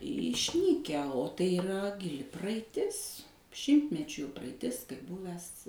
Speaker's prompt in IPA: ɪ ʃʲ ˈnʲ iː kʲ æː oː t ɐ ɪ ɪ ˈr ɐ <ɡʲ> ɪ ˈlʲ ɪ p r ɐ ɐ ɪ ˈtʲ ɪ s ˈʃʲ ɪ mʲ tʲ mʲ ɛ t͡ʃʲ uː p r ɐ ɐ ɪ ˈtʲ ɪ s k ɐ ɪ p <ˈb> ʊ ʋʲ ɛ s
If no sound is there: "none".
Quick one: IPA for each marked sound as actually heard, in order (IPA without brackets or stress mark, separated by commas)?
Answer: ɡʲ, b